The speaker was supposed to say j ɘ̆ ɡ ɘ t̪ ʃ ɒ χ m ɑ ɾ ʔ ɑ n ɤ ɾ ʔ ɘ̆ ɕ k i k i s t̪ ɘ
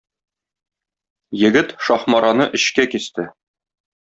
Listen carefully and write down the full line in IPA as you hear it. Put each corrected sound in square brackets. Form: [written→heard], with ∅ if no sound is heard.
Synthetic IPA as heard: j ɘ̆ ɡ ɘ t̪ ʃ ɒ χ m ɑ ɾ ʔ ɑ n ɤ [ɾ→∅] ʔ ɘ̆ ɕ k [i→æ] k i s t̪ ɘ